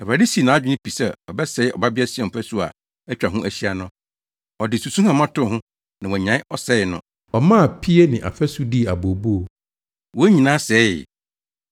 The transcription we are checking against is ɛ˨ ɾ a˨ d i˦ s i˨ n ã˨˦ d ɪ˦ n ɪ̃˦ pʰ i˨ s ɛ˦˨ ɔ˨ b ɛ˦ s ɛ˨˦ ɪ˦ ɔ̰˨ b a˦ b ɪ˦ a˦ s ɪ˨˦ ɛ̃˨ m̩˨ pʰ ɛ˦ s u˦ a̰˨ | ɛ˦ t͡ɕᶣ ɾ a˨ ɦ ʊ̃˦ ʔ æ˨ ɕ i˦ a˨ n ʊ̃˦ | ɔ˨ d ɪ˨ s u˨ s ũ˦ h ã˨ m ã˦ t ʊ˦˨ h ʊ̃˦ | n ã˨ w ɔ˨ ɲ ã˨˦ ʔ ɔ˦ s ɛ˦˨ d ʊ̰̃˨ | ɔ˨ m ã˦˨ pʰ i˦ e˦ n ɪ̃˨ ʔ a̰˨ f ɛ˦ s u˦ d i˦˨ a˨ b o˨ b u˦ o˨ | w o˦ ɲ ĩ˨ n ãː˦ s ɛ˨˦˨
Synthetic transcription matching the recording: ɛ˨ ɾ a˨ d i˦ s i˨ n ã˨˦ d͡ʑᶣ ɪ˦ n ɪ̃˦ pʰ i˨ s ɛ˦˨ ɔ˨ b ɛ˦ s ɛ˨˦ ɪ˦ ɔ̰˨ b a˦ b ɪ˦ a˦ s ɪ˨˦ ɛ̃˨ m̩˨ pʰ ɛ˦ s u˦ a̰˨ | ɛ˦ t͡ɕᶣ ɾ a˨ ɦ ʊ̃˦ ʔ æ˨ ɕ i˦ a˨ n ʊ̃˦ | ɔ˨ d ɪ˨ s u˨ s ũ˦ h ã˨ m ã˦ t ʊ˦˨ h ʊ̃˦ | n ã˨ w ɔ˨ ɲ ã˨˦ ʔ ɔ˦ s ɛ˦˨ n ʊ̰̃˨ | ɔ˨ m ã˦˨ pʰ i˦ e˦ n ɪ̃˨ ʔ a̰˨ f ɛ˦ s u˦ d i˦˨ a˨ b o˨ b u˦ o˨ | w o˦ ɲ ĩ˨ n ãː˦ s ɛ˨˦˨